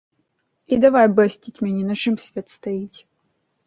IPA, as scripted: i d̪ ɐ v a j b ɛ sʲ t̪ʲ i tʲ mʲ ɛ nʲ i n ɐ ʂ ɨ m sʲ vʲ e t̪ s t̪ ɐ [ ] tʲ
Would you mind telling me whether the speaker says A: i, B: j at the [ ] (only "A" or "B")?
A